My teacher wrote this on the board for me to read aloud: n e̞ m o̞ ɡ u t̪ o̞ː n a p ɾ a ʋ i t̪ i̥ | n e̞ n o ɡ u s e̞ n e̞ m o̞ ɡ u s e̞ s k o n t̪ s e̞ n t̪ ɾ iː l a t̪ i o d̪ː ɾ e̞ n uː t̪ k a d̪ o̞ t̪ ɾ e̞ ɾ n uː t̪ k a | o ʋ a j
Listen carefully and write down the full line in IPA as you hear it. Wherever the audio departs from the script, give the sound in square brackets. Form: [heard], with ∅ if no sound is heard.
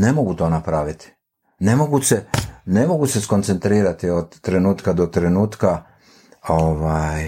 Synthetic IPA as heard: n e̞ m o̞ ɡ u t̪ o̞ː n a p ɾ a ʋ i t̪ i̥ | n e̞ [m] o ɡ u s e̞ n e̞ m o̞ ɡ u s e̞ s k o n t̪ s e̞ n t̪ ɾ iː [ɾ] a t̪ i o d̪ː ɾ e̞ n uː t̪ k a d̪ o̞ t̪ ɾ e̞ [∅] n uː t̪ k a | o ʋ a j